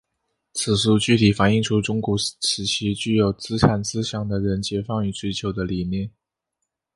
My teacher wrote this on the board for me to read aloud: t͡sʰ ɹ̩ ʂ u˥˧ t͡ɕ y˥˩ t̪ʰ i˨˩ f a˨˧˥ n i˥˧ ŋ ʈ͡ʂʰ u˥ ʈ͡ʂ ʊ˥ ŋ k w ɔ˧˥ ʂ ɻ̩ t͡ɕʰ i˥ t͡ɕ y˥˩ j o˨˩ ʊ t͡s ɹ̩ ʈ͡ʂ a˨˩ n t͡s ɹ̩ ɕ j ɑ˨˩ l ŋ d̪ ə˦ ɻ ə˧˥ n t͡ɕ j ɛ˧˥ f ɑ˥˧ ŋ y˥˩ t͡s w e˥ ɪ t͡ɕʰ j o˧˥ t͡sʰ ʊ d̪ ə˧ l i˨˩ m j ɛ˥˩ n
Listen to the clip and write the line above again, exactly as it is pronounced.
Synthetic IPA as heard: t͡sʰ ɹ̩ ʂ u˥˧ t͡ɕ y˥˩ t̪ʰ i˨˩ f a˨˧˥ n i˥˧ ŋ ʈ͡ʂʰ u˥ ʈ͡ʂ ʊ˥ ŋ k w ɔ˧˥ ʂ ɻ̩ t͡ɕʰ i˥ t͡ɕ y˥˩ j o˨˩ ʊ t͡s ɹ̩ ʈ͡ʂʰ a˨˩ n t͡s ɹ̩ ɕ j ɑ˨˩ ŋ d̪ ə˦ ɻ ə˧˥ n t͡ɕ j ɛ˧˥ f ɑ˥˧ ŋ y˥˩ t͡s w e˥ ɪ t͡ɕʰ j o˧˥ ʊ d̪ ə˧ l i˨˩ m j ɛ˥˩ n